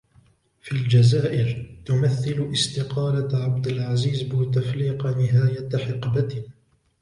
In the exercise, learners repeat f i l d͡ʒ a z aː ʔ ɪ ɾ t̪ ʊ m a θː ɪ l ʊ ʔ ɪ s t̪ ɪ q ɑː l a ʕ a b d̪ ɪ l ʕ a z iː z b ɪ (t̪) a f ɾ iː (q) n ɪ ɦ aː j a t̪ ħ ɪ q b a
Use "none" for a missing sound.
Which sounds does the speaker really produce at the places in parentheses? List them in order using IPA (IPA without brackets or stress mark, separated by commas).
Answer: t̪, q